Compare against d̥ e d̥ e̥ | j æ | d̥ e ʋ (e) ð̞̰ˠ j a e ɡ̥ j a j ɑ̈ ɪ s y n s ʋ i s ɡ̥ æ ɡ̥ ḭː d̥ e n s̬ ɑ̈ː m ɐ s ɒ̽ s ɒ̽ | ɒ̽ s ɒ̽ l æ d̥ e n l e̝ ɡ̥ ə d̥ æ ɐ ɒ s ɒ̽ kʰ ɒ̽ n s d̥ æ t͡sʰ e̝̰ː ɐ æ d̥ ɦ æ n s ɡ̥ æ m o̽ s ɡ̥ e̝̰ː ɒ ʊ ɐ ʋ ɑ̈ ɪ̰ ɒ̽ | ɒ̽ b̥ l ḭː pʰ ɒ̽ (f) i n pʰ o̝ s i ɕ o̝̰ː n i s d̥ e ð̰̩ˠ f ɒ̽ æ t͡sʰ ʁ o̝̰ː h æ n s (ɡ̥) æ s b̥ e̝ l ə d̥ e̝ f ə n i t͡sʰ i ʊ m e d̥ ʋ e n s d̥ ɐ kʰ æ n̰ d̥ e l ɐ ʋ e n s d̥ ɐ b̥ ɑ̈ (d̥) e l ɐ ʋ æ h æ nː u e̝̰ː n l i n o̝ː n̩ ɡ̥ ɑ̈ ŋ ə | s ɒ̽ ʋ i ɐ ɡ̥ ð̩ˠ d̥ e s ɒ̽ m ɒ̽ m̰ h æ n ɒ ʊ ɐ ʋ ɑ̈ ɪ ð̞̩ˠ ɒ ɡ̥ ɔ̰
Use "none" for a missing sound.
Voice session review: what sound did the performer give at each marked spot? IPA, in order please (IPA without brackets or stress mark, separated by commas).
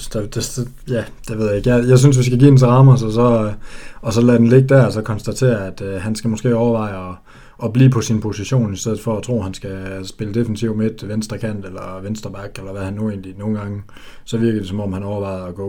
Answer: e, s, ɡ̥, ɡ̥